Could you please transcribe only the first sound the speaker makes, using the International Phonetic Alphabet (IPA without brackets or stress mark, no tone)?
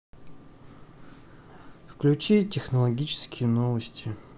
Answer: f